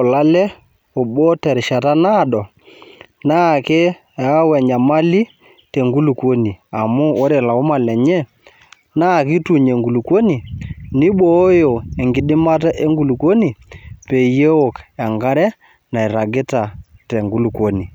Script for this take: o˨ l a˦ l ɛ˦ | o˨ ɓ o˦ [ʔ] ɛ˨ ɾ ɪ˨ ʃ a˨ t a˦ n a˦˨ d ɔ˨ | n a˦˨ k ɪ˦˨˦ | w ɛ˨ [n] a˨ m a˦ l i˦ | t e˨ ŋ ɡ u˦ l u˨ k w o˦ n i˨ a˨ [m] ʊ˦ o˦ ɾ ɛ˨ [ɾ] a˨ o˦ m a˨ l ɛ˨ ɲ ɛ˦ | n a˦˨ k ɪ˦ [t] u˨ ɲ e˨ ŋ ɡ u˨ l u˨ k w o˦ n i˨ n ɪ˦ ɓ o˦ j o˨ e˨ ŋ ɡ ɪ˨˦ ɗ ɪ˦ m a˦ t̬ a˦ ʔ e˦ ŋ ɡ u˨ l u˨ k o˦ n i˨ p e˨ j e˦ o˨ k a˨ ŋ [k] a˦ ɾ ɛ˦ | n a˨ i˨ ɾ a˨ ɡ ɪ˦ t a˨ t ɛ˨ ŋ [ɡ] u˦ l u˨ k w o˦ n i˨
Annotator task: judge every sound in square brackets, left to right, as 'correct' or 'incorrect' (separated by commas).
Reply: incorrect, incorrect, correct, incorrect, correct, incorrect, correct